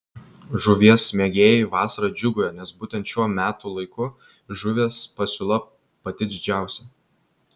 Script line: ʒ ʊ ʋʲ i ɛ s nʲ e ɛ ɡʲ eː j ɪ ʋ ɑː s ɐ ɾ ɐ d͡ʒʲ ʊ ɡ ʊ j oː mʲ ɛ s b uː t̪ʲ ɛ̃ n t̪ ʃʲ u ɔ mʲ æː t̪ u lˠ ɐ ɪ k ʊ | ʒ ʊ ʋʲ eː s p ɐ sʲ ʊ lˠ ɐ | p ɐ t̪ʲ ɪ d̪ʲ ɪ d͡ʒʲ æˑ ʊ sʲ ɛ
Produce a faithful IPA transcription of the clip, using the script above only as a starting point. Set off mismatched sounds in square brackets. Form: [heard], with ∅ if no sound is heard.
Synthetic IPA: ʒ ʊ ʋʲ i ɛ s [mʲ] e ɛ ɡʲ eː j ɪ ʋ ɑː s ɐ ɾ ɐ d͡ʒʲ ʊ ɡ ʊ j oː [nʲ] ɛ s b uː t̪ʲ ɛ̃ n t̪ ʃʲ u ɔ mʲ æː t̪ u lˠ ɐ ɪ k ʊ | ʒ ʊ ʋʲ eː s p ɐ sʲ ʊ lˠ ɐ | p ɐ t̪ʲ ɪ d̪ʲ ɪ d͡ʒʲ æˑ ʊ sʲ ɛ

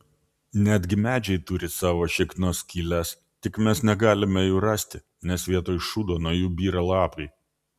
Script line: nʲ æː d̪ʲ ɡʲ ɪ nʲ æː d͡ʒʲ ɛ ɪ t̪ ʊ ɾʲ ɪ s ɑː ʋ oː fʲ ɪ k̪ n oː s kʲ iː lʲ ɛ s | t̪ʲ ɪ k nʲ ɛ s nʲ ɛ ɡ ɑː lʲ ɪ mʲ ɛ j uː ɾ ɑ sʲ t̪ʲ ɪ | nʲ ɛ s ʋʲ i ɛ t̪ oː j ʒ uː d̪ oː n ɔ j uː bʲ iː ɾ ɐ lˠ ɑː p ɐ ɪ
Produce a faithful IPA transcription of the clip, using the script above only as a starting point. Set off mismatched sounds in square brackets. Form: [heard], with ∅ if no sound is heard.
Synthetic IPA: nʲ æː d̪ʲ ɡʲ ɪ [mʲ] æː d͡ʒʲ ɛ ɪ t̪ ʊ ɾʲ ɪ s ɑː ʋ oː [ʃʲ] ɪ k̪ n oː s kʲ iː lʲ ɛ s | t̪ʲ ɪ k [mʲ] ɛ s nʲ ɛ ɡ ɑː lʲ ɪ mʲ ɛ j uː ɾ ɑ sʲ t̪ʲ ɪ | nʲ ɛ s ʋʲ i ɛ t̪ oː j [ʃ] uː d̪ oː n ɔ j uː bʲ iː ɾ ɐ lˠ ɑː p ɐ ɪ

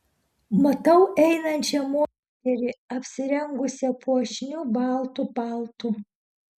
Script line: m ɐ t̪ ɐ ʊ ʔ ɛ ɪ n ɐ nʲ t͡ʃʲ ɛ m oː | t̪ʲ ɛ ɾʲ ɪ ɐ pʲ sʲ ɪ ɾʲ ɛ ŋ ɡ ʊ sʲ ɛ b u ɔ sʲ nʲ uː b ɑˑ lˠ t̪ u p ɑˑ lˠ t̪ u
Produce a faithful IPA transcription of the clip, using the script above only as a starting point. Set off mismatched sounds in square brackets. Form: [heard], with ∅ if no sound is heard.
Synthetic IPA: m ɐ t̪ ɐ ʊ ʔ ɛ ɪ n ɐ nʲ t͡ʃʲ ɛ m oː | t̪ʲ ɛ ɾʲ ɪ ɐ pʲ sʲ ɪ ɾʲ ɛ ŋ ɡ ʊ sʲ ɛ [p] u ɔ [ʃʲ] nʲ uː b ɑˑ lˠ t̪ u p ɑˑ lˠ t̪ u

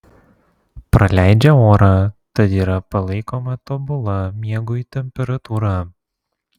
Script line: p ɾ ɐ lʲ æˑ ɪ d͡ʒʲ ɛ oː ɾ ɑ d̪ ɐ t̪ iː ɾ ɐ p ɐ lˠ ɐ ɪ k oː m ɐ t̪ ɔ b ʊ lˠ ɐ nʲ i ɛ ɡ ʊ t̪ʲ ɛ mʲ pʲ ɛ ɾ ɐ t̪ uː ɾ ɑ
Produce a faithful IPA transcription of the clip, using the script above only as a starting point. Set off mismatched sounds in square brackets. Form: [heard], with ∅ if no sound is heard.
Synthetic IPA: p ɾ ɐ lʲ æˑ ɪ d͡ʒʲ ɛ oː ɾ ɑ [t̪] ɐ t̪ iː ɾ ɐ p ɐ lˠ ɐ ɪ k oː m ɐ t̪ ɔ b ʊ lˠ ɐ [mʲ] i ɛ ɡ ʊ t̪ʲ ɛ mʲ pʲ ɛ ɾ ɐ t̪ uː ɾ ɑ

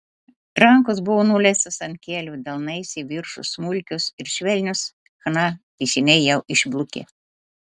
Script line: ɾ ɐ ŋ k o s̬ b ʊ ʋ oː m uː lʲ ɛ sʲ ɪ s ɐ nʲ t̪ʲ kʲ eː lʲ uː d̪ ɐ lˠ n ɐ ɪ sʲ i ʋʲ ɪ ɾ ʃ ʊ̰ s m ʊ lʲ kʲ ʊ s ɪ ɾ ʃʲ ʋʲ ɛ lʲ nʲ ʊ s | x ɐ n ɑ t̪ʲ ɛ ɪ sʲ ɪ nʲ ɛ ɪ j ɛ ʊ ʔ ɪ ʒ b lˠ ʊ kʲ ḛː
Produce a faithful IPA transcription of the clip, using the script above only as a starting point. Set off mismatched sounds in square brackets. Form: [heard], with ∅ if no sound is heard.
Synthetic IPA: ɾ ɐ ŋ k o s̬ b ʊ ʋ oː [n] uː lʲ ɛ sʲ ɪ s ɐ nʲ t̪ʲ kʲ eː lʲ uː d̪ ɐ lˠ n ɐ ɪ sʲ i ʋʲ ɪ ɾ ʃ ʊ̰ s m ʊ lʲ kʲ ʊ s ɪ ɾ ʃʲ ʋʲ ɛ lʲ nʲ ʊ s | x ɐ n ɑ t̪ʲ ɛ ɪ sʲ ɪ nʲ ɛ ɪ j ɛ ʊ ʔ ɪ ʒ b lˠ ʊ kʲ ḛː

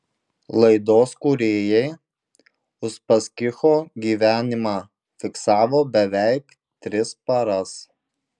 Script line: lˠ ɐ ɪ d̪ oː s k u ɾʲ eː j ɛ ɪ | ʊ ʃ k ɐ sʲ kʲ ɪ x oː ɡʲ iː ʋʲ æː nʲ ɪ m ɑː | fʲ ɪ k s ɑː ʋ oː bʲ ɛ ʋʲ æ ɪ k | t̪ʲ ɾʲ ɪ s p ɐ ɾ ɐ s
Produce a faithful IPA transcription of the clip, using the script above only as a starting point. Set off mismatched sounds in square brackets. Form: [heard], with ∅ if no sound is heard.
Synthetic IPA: lˠ ɐ ɪ d̪ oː s k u ɾʲ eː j ɛ ɪ | ʊ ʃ [p] ɐ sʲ kʲ ɪ x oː ɡʲ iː ʋʲ æː nʲ ɪ m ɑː | fʲ ɪ k s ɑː ʋ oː bʲ ɛ ʋʲ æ ɪ k | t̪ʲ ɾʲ ɪ s p ɐ ɾ ɐ s

